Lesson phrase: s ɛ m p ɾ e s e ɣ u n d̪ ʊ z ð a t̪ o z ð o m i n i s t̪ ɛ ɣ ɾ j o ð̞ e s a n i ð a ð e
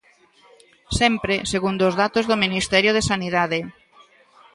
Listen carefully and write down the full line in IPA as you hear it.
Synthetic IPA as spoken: s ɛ m p ɾ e s e ɣ u n d̪ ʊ z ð a t̪ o z ð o m i n i s t̪ ɛ ɾ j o ð̞ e s a n i ð a ð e